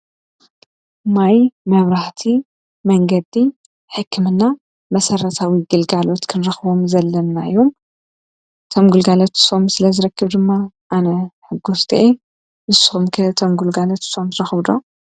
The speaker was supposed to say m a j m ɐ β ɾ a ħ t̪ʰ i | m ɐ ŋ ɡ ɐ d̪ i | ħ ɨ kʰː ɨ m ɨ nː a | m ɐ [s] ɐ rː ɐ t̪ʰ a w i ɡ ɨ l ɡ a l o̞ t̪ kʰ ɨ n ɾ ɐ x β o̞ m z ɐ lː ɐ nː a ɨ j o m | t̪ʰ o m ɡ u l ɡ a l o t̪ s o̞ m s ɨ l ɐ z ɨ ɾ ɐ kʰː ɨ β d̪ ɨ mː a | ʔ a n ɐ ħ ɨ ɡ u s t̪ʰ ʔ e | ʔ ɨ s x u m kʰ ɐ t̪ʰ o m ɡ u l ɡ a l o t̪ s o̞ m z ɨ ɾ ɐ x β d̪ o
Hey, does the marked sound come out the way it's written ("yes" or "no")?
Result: yes